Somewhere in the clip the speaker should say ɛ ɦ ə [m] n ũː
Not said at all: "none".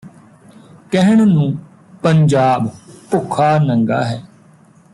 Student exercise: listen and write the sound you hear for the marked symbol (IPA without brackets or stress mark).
ɳ